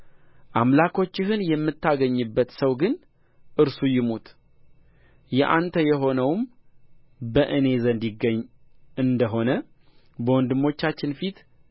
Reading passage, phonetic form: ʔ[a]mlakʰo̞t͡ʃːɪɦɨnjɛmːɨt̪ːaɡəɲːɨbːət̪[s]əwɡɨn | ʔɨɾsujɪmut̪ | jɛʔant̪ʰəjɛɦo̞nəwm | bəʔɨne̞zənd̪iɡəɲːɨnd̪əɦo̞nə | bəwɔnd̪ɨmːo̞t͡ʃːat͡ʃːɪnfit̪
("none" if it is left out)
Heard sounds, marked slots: a, s

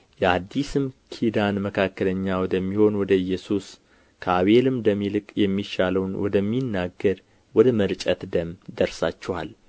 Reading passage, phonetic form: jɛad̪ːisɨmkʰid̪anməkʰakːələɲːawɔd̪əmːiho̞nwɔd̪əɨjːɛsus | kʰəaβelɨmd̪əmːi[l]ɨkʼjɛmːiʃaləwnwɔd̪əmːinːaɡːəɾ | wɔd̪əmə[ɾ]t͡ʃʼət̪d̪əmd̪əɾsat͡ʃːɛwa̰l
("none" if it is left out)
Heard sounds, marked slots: l, ɾ

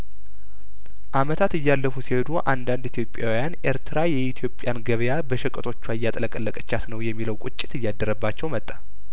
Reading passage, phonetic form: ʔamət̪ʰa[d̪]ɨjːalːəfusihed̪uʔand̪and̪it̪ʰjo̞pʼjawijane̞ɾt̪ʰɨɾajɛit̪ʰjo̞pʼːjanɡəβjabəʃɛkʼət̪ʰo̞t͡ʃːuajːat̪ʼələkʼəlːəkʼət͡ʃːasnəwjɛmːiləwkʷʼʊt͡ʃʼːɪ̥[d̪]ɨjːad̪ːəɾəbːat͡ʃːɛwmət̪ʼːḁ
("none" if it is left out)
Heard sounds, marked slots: t̪, t̪

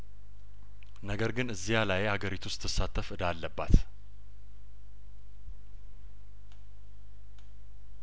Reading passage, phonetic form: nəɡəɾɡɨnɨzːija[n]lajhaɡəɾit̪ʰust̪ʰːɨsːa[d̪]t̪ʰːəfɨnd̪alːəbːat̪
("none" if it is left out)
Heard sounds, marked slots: none, none

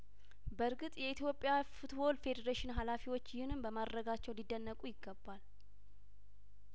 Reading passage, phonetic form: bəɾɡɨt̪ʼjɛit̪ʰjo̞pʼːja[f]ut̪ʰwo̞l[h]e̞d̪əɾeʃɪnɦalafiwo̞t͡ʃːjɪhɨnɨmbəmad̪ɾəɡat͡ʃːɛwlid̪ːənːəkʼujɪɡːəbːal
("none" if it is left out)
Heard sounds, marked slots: f, f

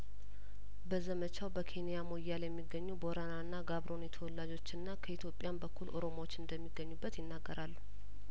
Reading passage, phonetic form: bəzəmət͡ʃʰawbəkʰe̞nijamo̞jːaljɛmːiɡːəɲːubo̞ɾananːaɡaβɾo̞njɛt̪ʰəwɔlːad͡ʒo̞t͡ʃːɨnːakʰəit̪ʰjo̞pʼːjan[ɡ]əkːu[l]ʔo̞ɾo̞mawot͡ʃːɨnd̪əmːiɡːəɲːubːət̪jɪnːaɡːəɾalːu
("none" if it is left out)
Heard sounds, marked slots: b, l

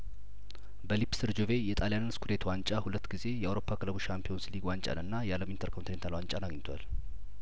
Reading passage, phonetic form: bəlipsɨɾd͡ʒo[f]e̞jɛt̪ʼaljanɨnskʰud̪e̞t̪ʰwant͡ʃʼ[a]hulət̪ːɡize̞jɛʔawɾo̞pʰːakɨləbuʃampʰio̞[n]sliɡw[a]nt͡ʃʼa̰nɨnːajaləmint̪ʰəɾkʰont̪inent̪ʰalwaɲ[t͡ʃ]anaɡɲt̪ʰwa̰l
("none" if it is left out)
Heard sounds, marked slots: v, a, n, a, t͡ʃʼ

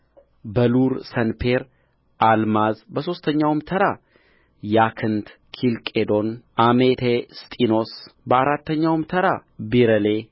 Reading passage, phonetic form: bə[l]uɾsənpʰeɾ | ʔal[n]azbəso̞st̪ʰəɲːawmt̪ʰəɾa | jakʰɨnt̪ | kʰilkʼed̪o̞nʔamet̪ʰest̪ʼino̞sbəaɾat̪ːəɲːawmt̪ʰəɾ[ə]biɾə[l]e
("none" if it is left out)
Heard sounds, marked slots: l, m, a, l

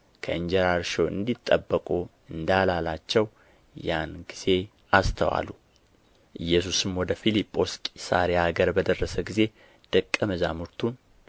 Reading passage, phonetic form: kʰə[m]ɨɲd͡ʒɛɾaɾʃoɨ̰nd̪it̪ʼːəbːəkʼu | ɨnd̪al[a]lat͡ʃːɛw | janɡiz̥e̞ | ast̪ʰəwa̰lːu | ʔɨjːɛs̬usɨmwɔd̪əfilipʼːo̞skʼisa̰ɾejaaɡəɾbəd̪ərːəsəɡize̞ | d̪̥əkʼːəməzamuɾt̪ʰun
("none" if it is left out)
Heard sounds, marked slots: none, a

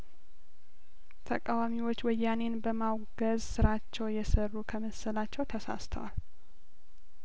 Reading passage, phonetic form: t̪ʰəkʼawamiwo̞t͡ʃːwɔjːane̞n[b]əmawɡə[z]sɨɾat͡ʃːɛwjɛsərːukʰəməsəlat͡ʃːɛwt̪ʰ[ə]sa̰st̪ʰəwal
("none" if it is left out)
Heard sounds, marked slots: b, z, ə

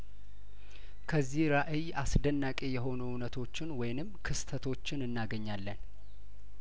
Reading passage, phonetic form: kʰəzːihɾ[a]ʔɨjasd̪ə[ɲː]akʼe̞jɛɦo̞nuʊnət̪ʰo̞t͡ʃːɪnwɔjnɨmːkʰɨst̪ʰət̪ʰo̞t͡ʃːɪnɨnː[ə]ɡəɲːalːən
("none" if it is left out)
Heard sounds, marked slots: a, nː, a

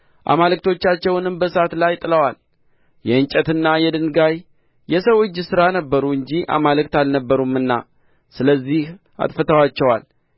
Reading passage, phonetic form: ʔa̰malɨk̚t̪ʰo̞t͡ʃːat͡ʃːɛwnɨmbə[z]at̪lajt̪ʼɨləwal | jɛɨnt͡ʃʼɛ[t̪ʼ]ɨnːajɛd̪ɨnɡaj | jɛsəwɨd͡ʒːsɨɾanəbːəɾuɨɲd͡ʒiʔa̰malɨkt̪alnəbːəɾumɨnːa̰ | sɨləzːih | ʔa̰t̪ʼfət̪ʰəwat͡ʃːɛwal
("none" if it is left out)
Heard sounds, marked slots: s, t̪

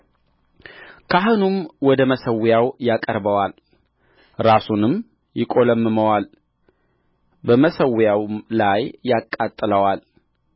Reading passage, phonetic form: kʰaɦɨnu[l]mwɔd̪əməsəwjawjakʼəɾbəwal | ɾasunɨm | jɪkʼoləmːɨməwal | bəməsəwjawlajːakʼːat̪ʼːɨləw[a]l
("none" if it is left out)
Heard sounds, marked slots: none, a

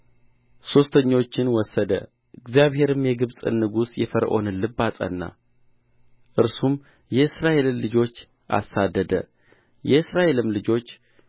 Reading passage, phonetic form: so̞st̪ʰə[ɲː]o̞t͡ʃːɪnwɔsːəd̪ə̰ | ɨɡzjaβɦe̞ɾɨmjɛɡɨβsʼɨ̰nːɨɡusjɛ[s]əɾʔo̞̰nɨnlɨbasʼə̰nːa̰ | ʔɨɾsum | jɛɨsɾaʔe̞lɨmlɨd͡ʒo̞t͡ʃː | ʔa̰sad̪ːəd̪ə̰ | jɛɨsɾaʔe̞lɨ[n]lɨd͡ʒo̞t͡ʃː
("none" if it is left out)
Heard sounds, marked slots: ɲː, f, m

